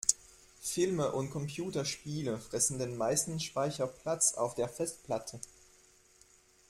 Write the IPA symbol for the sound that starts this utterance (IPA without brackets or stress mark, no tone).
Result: f